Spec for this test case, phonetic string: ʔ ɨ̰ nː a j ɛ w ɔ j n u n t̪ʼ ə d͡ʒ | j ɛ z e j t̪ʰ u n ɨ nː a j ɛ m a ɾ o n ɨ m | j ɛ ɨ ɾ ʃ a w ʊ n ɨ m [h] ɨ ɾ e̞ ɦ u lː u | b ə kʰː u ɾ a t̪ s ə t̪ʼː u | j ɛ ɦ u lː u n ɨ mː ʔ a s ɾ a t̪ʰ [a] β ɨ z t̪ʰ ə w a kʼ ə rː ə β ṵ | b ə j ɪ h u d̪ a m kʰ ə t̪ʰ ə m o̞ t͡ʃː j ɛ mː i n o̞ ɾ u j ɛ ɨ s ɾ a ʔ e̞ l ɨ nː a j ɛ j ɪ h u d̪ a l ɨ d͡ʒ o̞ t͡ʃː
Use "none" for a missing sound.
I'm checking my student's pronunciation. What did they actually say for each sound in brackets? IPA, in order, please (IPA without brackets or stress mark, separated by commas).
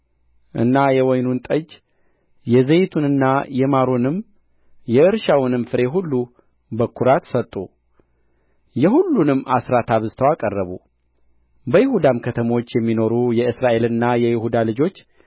f, a